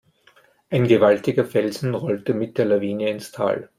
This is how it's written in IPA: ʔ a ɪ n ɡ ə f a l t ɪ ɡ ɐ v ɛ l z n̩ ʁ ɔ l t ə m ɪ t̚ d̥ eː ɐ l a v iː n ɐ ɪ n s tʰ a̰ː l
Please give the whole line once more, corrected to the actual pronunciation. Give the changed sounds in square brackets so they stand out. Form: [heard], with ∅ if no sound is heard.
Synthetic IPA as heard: ʔ a ɪ n ɡ ə [v] a l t ɪ ɡ ɐ [f] ɛ l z n̩ ʁ ɔ l t ə m ɪ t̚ d̥ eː ɐ l a v iː n [ə] ɪ n s tʰ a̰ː l